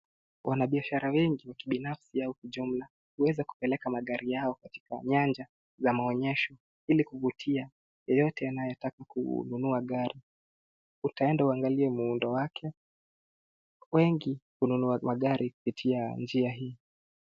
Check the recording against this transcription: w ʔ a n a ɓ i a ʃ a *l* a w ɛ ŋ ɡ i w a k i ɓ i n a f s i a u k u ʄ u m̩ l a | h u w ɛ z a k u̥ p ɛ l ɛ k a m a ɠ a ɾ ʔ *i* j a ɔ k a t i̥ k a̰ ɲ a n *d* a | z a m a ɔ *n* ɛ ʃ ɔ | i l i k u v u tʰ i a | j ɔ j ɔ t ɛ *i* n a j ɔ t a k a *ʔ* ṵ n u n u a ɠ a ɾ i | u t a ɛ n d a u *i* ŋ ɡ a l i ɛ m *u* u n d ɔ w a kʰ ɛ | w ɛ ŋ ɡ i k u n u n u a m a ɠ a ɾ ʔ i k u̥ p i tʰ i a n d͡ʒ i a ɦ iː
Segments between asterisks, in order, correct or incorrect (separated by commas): incorrect, correct, incorrect, incorrect, incorrect, incorrect, incorrect, correct